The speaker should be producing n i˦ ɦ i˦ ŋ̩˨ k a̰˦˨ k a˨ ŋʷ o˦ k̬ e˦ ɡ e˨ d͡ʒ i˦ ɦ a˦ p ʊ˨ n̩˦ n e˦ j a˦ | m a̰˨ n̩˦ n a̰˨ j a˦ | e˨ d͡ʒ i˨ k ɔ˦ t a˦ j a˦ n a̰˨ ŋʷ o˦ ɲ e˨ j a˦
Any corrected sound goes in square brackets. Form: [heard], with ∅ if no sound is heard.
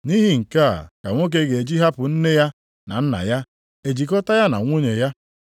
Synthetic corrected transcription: n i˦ ɦ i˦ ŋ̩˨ k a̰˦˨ k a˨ ŋʷ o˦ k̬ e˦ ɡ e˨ d͡ʒ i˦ ɦ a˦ p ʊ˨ n̩˦ n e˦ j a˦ | [n] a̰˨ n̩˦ n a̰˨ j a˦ | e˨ d͡ʒ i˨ k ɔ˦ t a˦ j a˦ n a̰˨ ŋʷ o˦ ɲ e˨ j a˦